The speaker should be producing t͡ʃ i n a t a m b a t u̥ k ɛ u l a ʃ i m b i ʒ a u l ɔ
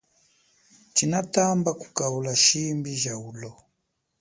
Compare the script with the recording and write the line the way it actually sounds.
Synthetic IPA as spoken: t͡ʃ i n a t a m b a k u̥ k a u l a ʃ i m b i ʒ a u l ɔ